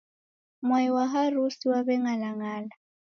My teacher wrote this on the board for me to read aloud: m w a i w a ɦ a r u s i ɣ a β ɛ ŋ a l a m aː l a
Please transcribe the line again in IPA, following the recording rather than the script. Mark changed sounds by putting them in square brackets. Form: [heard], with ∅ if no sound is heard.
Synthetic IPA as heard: m w a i w a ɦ a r u s i [w] a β ɛ ŋ a l a [ŋ] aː l a